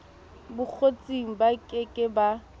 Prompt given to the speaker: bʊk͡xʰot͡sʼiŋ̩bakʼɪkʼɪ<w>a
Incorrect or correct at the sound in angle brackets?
incorrect: b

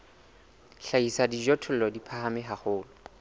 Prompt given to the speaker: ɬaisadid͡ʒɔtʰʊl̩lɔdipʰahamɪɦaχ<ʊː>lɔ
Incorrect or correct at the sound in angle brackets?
correct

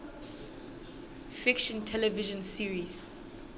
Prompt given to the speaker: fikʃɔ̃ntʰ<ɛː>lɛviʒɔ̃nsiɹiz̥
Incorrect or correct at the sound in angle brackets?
incorrect: ɛ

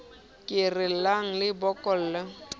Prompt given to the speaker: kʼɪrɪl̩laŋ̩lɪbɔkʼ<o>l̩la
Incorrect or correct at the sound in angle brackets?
incorrect: ɔ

